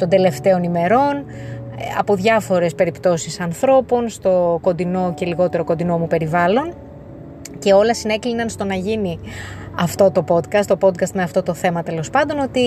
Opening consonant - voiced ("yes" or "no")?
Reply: no